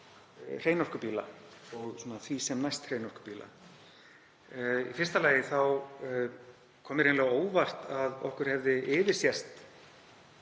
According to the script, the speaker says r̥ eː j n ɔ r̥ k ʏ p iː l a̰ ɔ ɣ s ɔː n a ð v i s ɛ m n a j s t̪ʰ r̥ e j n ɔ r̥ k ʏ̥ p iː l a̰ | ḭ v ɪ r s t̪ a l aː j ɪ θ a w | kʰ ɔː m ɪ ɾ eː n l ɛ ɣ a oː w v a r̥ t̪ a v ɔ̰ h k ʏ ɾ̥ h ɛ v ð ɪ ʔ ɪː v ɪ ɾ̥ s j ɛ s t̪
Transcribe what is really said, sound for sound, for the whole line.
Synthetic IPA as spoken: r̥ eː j n ɔ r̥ k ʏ p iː l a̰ ɔ ɣ s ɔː n a θ v i s ɛ m n a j s t̪ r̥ e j n ɔ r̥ k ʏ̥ p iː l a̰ | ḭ f ɪ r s t̪ a l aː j ɪ θ a w | kʰ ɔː m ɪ ɾ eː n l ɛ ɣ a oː w v a r̥ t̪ a ð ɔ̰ h k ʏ ɾ̥ h ɛ v ð ɪ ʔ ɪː v ɪ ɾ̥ s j ɛ s t̪